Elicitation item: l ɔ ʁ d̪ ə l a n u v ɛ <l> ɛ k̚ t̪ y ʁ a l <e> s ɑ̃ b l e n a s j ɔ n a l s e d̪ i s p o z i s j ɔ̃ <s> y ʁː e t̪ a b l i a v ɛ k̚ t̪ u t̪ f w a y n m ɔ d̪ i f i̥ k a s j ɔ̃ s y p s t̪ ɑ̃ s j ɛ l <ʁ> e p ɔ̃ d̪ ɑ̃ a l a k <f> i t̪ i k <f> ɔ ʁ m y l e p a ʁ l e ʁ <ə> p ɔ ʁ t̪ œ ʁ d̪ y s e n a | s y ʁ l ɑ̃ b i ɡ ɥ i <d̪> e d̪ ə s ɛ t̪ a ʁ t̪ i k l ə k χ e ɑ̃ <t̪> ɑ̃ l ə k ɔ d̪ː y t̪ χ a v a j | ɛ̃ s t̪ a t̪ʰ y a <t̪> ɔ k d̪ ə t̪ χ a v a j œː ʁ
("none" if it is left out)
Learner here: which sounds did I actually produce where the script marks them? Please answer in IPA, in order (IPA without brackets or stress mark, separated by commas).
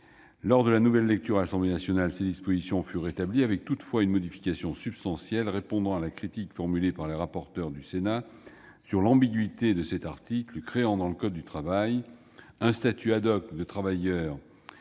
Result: lː, a, f, ʁ, χ, f, a, t̪, d̪, d̪